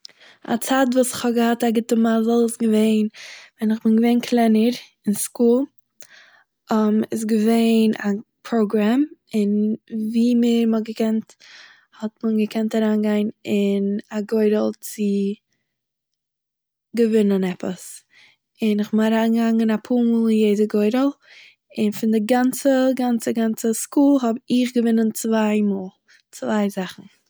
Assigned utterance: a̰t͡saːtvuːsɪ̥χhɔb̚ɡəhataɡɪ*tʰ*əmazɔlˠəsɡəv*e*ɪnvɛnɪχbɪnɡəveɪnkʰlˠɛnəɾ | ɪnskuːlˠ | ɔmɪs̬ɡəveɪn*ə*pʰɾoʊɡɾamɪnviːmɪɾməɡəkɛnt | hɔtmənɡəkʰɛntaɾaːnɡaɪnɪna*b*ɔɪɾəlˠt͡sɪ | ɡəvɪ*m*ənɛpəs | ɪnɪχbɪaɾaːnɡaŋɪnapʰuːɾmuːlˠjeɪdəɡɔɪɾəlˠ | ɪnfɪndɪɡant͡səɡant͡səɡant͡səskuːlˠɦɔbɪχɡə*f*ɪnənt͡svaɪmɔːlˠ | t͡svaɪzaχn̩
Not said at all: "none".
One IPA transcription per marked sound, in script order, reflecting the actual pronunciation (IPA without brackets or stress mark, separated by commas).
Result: t, e, a, ɡ, n, v